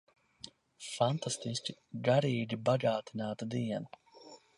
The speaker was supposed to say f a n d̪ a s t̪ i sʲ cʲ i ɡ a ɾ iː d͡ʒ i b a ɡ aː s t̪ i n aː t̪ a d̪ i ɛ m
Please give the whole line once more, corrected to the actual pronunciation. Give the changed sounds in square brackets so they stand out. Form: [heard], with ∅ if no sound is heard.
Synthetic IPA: f a n [t̪] a s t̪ i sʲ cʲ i ɡ a ɾ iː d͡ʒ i b a ɡ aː [∅] t̪ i n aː t̪ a d̪ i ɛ [n]